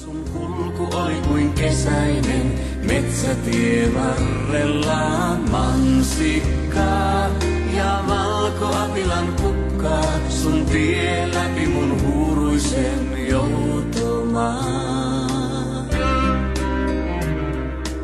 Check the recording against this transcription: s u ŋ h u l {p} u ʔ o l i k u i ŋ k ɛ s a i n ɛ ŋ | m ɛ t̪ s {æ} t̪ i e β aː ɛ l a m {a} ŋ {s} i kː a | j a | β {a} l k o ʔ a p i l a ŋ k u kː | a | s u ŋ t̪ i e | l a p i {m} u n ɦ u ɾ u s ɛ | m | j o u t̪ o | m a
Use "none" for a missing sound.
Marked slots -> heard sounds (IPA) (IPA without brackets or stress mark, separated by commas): k, a, a, s, a, m